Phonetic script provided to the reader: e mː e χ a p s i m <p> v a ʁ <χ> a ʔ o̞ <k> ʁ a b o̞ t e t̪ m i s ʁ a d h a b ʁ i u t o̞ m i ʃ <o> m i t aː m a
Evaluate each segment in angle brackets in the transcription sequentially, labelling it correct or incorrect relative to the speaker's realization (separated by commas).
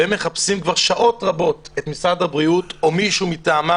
incorrect, incorrect, incorrect, incorrect